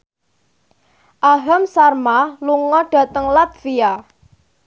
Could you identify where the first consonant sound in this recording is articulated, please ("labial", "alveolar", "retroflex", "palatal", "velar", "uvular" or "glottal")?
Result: glottal